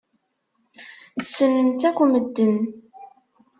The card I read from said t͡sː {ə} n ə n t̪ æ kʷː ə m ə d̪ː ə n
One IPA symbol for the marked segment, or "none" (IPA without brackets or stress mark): ə